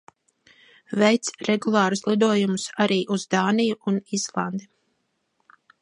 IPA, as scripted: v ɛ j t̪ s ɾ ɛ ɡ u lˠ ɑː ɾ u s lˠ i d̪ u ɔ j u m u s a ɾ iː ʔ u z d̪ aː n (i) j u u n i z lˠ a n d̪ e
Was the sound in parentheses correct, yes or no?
yes